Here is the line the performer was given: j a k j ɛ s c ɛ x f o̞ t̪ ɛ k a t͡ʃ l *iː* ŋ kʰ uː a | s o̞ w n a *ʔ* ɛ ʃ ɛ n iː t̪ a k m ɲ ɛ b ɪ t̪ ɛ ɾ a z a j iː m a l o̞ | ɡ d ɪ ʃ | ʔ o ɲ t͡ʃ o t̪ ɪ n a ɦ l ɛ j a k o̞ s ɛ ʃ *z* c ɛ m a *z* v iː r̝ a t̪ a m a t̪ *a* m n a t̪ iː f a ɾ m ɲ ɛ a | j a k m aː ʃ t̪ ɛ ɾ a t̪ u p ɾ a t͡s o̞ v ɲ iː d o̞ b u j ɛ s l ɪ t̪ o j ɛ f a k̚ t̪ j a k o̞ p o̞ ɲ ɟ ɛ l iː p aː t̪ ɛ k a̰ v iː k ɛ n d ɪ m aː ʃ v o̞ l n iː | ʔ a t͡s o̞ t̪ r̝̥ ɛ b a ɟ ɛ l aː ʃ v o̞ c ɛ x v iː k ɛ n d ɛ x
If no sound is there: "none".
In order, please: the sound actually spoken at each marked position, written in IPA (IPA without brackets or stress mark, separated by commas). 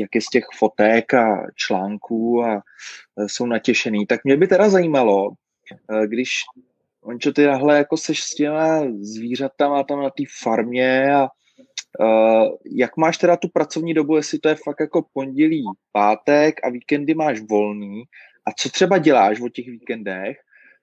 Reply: aː, c, s, z, a